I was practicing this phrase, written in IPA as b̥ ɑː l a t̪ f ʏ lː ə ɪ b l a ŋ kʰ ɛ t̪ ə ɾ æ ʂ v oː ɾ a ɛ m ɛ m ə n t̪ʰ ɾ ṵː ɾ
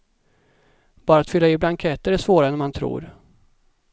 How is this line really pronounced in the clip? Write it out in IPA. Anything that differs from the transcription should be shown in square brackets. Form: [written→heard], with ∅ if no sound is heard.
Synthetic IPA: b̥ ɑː [l→ɾ] a t̪ f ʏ lː [ə→a] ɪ b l a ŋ kʰ ɛ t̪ ə ɾ æ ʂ v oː ɾ a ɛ [m→n] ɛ m [ə→a] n t̪ʰ ɾ ṵː ɾ